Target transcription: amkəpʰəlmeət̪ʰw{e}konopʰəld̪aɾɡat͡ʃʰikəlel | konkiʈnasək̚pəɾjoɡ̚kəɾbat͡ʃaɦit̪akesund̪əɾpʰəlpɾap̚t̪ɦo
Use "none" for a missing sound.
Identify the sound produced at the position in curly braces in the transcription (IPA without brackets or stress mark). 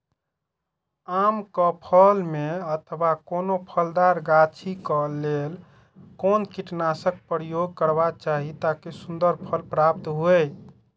a